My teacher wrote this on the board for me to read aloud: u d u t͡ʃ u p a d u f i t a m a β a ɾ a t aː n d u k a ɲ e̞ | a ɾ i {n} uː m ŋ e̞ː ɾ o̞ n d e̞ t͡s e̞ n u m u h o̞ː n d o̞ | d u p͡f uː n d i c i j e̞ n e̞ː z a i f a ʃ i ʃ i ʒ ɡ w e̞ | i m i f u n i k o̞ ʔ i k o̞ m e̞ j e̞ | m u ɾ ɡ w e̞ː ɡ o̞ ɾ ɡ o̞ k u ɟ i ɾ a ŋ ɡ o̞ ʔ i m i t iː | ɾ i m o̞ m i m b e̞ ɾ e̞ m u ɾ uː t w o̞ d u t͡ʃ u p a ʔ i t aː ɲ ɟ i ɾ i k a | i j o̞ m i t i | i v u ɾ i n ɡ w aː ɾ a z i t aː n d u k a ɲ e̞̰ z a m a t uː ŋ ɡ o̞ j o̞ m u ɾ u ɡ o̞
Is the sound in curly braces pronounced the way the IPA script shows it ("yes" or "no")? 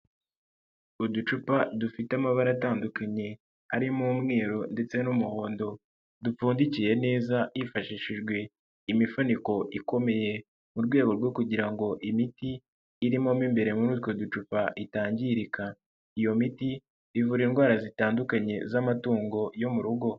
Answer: no